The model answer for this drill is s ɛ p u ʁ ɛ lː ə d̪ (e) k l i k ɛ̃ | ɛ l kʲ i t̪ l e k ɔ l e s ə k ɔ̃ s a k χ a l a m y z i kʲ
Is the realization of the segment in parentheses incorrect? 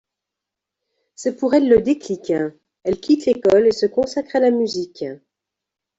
no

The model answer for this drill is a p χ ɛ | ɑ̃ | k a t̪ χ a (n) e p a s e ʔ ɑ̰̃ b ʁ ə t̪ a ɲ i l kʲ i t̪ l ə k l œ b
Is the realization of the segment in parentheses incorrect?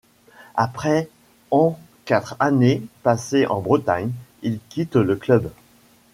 no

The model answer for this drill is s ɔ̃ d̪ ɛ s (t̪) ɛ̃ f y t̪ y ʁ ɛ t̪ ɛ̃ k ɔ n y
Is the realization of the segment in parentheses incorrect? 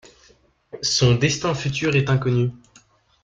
no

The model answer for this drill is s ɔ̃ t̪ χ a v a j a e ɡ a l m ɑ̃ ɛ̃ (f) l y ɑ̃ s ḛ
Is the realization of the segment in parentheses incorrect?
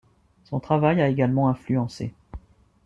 no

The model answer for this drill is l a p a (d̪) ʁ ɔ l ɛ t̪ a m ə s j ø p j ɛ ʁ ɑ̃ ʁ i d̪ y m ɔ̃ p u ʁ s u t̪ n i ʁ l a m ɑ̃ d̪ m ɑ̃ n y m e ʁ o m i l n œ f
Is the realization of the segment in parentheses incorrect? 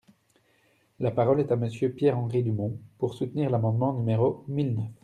yes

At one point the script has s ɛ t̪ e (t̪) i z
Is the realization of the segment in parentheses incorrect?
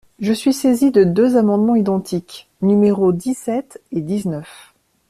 yes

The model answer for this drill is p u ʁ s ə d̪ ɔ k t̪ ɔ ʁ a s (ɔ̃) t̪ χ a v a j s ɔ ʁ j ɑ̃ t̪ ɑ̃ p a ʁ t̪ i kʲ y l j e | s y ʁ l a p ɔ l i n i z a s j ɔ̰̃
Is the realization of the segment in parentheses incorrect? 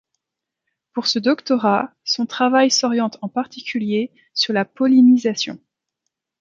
no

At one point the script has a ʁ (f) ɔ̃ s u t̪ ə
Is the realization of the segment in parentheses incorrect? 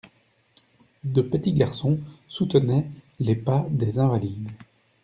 yes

